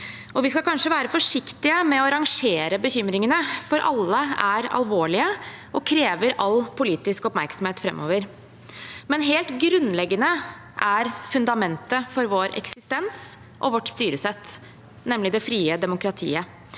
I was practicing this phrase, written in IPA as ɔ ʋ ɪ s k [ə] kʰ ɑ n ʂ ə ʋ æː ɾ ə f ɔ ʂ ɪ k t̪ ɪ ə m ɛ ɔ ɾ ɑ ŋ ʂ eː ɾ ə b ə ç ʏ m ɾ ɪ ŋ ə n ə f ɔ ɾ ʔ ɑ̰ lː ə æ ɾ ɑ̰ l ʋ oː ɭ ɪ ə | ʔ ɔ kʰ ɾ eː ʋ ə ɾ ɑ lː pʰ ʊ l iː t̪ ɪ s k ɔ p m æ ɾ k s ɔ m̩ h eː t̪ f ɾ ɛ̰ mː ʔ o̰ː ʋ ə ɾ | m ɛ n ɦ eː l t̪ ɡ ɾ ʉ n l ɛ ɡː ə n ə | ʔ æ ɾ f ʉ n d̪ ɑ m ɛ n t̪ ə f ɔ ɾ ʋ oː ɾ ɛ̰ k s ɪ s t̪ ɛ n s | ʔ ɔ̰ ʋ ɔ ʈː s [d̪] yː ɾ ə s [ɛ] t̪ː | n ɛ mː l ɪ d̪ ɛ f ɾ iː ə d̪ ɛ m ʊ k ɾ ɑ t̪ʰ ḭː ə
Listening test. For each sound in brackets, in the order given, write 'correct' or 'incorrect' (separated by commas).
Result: incorrect, incorrect, correct